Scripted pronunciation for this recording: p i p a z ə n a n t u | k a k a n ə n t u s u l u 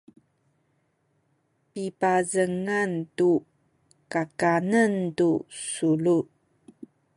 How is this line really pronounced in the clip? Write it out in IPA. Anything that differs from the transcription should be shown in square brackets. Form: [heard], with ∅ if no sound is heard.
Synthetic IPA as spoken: p i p a z ə [ŋ] a n t u | k a k a n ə n t u s u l u